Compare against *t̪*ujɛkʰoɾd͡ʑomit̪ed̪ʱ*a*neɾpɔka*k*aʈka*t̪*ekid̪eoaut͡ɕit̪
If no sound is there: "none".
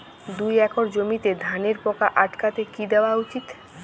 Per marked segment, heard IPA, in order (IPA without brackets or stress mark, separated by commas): d̪, a, ʔ, t̪